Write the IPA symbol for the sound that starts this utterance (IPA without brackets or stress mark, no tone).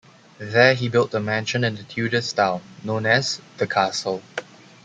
ð